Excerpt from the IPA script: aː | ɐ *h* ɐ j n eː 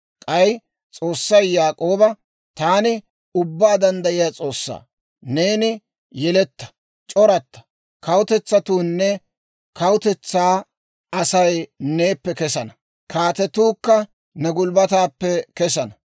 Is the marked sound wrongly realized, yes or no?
yes